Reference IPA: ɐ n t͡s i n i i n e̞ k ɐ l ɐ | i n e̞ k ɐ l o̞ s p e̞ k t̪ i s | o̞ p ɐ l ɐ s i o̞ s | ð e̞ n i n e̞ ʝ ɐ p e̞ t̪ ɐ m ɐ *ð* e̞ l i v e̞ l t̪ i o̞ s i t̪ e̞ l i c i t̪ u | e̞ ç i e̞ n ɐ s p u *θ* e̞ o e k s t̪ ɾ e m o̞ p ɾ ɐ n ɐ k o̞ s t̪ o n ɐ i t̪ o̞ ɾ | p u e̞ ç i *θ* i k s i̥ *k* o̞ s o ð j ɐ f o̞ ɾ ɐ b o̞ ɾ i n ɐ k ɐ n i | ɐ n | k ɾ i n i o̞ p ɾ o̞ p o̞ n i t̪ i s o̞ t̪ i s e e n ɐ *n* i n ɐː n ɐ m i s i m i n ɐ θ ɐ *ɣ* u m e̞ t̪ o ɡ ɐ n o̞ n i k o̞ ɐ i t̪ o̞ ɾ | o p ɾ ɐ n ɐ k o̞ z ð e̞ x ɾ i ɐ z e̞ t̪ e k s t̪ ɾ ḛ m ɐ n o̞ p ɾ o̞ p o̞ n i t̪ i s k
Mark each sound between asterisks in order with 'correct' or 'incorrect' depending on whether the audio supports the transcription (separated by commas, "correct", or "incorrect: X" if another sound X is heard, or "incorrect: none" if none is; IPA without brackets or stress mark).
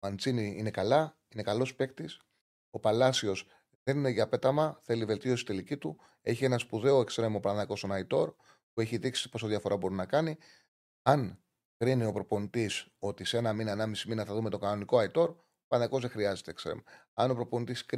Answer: incorrect: θ, incorrect: ð, incorrect: ð, incorrect: p, incorrect: m, incorrect: ð